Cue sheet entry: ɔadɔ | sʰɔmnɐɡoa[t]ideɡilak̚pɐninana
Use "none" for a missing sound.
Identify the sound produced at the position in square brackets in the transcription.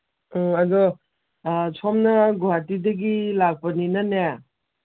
t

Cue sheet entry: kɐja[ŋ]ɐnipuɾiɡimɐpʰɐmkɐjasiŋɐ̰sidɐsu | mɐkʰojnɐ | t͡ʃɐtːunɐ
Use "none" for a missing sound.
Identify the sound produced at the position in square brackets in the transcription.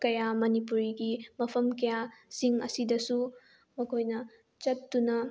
m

